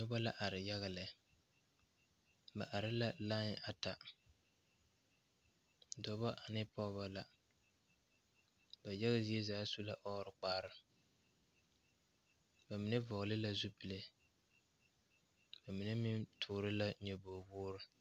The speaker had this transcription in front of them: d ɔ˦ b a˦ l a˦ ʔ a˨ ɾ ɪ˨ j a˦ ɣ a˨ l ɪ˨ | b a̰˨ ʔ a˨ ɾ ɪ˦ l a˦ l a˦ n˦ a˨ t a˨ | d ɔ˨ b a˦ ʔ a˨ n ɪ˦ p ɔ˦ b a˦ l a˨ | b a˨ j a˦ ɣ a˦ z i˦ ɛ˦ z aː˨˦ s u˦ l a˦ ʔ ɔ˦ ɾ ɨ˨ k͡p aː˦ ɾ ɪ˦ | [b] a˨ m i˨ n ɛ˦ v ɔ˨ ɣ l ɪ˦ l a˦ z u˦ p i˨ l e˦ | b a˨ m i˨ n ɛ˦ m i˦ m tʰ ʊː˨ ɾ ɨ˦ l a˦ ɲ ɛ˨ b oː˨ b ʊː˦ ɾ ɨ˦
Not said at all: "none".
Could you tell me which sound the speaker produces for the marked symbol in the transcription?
b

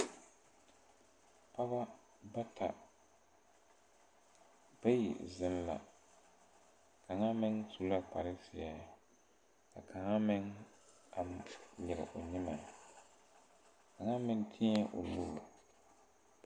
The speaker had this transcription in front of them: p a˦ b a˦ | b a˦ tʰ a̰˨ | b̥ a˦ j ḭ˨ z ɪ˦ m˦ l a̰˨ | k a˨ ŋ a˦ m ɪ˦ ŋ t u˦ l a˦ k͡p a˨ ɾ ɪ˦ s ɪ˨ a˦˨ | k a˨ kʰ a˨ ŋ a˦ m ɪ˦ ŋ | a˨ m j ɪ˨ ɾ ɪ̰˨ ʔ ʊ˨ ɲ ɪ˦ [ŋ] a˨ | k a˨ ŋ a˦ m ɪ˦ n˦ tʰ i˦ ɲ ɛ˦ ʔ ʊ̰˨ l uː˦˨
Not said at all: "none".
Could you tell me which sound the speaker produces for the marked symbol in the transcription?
m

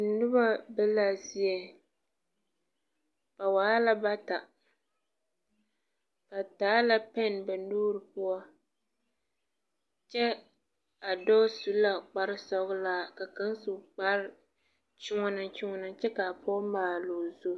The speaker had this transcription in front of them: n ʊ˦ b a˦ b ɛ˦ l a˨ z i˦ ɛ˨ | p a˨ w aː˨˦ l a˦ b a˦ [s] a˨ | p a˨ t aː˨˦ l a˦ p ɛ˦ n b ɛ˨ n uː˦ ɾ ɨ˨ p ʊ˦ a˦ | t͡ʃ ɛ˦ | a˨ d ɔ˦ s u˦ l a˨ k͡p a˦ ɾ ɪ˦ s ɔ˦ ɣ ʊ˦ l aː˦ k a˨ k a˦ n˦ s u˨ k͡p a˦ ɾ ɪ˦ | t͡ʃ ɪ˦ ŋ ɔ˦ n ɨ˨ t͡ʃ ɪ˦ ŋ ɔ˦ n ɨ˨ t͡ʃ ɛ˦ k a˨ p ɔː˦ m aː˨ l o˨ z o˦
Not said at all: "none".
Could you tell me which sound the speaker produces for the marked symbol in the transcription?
t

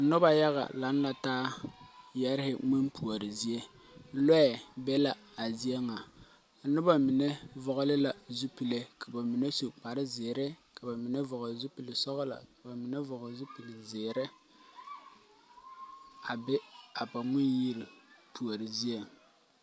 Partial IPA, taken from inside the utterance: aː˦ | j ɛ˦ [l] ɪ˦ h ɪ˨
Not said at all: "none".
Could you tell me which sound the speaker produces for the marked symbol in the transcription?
ɾ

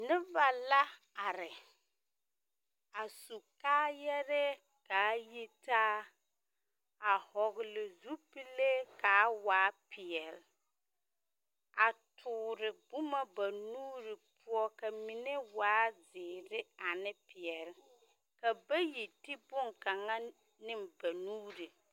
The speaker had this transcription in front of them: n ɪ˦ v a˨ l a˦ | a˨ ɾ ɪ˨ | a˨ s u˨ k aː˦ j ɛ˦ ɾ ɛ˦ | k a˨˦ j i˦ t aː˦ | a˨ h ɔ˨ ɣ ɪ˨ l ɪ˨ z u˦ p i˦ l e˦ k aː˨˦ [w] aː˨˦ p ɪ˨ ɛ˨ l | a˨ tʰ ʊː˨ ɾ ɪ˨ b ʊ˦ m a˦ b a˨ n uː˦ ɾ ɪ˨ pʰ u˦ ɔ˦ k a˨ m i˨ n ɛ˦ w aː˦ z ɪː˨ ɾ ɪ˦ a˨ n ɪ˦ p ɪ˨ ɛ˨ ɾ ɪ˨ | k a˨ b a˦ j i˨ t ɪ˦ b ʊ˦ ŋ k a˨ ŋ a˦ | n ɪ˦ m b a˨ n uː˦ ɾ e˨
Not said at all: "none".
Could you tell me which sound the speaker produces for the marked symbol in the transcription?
w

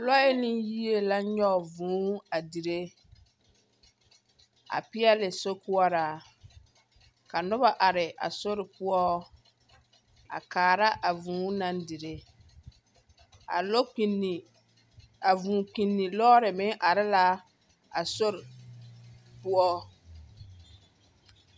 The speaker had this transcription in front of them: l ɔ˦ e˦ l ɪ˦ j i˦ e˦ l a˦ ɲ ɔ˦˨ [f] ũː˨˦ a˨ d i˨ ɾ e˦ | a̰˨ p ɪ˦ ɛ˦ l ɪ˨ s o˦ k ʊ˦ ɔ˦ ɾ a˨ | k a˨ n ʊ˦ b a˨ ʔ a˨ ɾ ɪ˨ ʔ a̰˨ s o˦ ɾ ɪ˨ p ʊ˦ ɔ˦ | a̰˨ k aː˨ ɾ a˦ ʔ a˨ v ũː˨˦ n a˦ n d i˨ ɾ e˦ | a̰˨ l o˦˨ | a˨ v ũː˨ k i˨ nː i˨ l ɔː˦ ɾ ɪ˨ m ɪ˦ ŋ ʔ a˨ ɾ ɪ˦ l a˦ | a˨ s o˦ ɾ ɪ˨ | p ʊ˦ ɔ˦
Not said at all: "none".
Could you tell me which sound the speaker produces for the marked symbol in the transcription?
v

